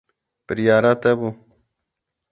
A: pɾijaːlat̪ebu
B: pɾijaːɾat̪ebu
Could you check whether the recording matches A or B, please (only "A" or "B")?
B